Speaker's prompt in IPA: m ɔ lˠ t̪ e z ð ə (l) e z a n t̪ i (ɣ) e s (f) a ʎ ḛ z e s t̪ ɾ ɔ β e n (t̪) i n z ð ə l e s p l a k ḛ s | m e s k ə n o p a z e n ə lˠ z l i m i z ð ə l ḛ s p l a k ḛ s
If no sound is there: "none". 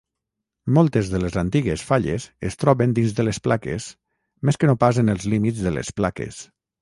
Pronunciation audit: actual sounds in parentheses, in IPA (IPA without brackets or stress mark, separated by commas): l, ɣ, f, d̪